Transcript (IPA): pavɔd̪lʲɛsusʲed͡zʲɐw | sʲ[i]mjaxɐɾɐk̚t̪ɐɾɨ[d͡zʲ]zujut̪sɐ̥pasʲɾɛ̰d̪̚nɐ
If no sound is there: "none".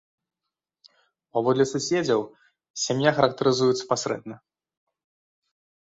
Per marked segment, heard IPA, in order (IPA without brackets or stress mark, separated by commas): a, none